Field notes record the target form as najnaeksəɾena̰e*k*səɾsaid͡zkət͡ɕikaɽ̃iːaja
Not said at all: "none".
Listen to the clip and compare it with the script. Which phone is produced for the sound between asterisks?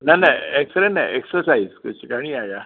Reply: k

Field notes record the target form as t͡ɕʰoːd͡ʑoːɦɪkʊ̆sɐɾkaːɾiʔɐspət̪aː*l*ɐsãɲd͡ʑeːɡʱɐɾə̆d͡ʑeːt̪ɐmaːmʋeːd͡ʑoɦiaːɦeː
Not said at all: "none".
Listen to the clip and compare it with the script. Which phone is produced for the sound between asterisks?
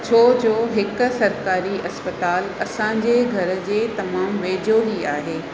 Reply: l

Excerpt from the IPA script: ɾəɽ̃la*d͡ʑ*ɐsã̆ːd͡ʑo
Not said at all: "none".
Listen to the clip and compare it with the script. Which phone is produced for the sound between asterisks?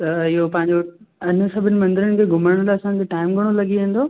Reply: none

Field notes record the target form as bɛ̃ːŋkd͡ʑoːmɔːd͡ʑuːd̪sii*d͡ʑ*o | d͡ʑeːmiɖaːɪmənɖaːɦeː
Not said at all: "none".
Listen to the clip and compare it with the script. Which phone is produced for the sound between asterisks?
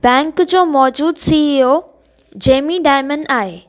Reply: none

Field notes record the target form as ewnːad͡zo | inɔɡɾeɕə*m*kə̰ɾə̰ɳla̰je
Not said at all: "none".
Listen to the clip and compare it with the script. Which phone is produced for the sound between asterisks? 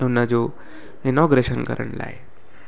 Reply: n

